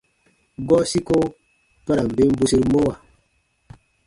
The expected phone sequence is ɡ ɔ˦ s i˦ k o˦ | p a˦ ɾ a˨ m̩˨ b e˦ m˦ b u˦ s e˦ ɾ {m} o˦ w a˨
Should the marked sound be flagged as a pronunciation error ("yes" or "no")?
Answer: no